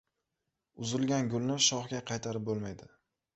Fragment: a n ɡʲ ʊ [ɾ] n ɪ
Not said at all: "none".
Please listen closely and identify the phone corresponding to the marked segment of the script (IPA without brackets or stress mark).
l